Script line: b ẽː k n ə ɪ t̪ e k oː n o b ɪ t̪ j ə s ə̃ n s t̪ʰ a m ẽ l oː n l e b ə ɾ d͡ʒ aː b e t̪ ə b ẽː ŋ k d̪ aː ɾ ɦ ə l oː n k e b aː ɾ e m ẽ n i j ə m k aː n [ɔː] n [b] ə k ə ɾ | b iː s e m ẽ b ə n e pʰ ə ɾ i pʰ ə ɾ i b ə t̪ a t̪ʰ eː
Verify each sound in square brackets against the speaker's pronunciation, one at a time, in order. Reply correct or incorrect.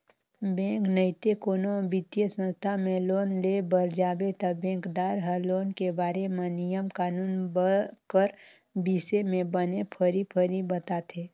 incorrect: uː, correct

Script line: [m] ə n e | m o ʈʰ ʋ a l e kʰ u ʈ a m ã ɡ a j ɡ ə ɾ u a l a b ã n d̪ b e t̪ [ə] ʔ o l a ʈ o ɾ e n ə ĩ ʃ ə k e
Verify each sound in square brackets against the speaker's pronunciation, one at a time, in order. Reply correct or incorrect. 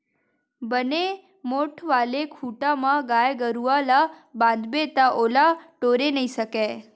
incorrect: b, incorrect: a

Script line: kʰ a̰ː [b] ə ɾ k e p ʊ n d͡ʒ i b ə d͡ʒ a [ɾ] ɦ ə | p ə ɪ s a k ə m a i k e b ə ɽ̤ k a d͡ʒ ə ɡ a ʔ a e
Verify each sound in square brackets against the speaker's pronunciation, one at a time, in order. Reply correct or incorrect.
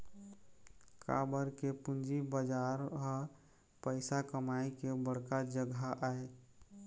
correct, correct

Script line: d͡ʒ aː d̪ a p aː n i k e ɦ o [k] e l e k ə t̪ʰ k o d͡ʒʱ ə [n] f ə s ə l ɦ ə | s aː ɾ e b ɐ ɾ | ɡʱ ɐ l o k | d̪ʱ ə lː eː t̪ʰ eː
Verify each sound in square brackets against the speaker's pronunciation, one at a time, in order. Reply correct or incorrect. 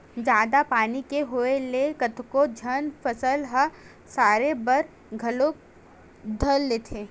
incorrect: none, correct

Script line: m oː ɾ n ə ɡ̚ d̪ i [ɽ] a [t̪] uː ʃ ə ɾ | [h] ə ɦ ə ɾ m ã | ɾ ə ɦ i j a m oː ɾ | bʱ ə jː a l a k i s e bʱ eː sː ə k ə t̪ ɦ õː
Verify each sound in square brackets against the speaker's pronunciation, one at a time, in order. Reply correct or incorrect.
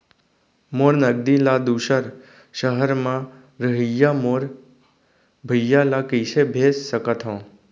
incorrect: l, incorrect: d̪, incorrect: ʃ

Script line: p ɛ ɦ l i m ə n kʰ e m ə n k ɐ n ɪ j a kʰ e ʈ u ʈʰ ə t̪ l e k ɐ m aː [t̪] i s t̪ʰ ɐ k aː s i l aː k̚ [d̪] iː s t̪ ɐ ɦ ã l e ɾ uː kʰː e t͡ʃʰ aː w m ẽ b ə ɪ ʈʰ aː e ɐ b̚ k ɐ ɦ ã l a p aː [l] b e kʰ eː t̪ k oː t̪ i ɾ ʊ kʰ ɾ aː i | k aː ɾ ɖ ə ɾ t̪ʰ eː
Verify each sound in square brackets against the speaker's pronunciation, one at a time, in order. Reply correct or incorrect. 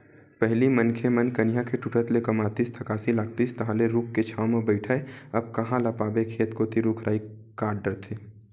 correct, incorrect: t̪, incorrect: none

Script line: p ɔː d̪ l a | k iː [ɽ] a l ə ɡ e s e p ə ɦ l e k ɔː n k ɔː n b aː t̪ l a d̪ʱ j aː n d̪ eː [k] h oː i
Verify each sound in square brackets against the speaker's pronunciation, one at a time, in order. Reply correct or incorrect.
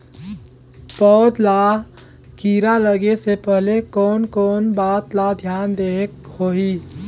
incorrect: ɾ, correct

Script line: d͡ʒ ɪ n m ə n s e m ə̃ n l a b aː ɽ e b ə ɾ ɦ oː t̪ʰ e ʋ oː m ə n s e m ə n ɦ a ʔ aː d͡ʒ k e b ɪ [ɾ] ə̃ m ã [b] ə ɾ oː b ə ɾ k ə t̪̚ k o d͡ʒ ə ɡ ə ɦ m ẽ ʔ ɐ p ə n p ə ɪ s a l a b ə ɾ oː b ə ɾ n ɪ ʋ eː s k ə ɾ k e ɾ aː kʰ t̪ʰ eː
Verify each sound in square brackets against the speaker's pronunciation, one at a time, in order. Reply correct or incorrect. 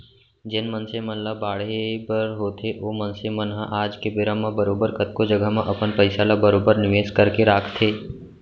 correct, correct

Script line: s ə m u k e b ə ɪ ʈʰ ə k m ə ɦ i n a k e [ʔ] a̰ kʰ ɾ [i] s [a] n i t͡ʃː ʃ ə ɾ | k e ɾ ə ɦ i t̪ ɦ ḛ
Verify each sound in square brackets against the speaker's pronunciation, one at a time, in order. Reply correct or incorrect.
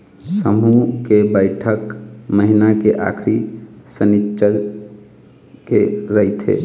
correct, correct, incorrect: ə

